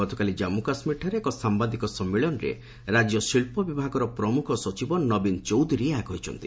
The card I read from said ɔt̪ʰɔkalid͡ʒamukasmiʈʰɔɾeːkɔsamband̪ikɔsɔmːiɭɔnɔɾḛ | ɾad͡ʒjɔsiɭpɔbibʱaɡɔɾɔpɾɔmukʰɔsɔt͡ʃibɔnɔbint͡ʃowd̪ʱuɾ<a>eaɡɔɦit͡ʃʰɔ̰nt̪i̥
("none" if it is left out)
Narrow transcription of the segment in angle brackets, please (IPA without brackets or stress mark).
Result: i